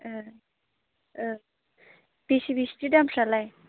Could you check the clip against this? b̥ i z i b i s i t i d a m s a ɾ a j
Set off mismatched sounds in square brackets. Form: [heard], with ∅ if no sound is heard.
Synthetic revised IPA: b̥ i [s] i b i s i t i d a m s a [l] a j

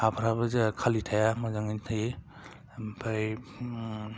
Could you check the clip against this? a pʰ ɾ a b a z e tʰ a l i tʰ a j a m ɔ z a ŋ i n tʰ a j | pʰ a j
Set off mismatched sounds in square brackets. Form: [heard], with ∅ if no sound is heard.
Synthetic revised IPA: a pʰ ɾ a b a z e [kʰ] a l i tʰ a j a m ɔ z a ŋ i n tʰ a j | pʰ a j

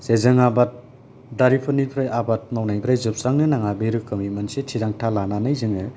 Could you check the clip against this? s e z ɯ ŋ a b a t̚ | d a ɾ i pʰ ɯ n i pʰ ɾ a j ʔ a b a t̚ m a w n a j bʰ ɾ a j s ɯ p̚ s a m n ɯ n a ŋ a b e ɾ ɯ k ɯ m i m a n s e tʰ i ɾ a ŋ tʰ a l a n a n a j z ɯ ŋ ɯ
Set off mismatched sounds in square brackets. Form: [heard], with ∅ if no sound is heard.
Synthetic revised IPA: s e z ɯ ŋ a b a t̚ | d a ɾ i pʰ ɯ n i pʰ ɾ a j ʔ a b a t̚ m a w n a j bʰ ɾ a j [z] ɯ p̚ s a [ŋ] n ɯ n a ŋ a b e ɾ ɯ k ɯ m i m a n s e tʰ i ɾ a ŋ tʰ a l a n a n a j z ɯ ŋ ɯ

